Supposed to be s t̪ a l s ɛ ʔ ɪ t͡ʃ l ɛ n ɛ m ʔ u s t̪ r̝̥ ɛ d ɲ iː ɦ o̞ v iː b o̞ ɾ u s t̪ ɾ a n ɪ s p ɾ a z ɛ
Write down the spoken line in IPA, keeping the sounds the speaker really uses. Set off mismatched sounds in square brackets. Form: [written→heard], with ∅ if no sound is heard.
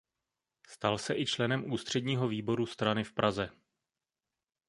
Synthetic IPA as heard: s t̪ a l s ɛ ʔ ɪ t͡ʃ l ɛ n ɛ m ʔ [u→uː] s t̪ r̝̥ ɛ d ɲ iː ɦ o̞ v iː b o̞ ɾ u s t̪ ɾ a n ɪ [s→f] p ɾ a z ɛ